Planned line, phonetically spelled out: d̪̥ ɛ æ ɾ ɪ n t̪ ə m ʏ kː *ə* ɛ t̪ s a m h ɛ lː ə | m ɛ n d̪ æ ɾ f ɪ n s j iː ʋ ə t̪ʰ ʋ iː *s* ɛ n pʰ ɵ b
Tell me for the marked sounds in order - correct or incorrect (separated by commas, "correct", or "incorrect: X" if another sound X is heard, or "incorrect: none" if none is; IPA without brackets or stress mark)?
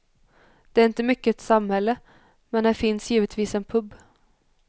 correct, correct